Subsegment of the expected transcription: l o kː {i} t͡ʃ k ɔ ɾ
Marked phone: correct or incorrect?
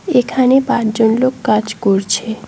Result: incorrect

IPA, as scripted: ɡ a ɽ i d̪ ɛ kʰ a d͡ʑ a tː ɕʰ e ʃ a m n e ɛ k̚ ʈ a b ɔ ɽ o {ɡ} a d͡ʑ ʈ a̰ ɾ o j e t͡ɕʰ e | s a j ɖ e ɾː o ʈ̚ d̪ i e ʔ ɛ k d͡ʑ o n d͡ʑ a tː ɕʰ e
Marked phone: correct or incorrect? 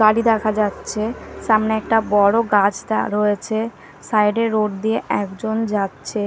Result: correct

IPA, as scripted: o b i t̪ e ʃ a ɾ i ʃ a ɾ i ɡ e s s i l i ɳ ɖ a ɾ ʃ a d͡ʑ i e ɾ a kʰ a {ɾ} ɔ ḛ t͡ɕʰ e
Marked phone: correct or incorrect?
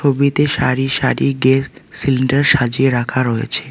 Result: correct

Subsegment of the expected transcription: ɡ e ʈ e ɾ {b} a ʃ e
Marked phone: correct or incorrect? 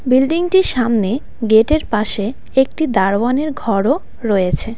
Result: incorrect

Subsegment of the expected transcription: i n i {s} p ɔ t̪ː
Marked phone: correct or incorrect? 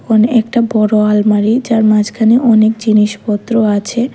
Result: incorrect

